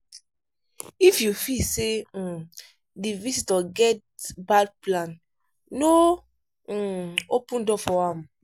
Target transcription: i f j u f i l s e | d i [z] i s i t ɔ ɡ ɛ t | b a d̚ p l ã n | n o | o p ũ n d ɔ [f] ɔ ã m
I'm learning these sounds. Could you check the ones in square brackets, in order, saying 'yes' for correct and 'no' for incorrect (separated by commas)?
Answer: no, yes